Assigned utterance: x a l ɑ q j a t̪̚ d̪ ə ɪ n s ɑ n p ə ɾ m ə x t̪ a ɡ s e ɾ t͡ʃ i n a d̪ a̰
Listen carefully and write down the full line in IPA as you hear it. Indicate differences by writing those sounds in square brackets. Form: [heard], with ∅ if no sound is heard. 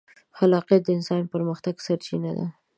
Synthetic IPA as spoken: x a l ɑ q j a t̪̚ d̪ ə ɪ n s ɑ n p ə ɾ m ə x t̪ a ɡ s [a] ɾ t͡ʃ i n a d̪ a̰